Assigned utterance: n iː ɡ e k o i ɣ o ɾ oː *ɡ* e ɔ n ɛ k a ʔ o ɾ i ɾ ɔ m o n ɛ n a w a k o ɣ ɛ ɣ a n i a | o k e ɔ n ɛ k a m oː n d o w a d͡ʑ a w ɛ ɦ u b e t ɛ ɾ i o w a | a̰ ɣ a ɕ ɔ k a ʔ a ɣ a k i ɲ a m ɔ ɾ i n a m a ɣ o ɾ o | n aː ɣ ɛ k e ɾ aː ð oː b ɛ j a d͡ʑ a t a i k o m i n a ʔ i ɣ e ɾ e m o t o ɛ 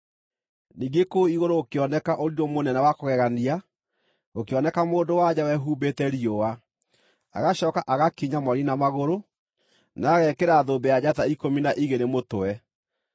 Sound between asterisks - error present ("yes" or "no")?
yes